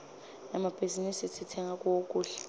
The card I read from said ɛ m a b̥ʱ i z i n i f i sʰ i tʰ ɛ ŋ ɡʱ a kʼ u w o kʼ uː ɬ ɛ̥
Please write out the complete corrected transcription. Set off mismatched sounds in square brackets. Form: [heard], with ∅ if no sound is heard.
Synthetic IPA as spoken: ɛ m a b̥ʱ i z i n i [s] i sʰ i tʰ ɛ ŋ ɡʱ a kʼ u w o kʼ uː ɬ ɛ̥